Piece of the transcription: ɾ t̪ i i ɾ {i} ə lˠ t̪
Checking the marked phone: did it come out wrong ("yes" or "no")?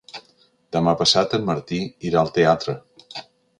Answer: yes